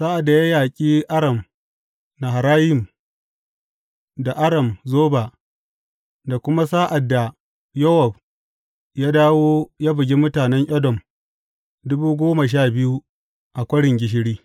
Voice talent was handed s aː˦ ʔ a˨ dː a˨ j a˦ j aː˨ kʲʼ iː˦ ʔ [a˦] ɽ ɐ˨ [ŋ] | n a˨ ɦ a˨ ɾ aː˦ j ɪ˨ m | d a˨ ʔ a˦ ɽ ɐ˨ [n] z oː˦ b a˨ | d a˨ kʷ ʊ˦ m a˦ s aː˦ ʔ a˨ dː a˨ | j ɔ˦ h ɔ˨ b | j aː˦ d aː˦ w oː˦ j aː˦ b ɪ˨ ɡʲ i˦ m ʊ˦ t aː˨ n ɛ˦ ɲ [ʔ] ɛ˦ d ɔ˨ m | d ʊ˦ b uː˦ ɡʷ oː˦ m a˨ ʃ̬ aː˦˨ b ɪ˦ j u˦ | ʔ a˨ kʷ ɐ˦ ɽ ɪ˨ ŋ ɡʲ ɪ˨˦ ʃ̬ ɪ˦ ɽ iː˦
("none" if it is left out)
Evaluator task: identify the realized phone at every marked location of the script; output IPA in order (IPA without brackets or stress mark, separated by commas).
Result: a˦, m, m, ʔ